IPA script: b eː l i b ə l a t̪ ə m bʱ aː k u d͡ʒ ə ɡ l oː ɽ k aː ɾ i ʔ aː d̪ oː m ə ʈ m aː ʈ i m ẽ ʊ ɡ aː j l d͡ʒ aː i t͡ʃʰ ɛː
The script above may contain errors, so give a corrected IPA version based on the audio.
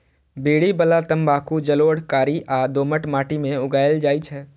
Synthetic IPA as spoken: b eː ɽ i b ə l a t̪ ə m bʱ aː k u d͡ʒ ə l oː ɽ k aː ɾ i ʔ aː d̪ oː m ə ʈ m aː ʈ i m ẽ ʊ ɡ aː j l d͡ʒ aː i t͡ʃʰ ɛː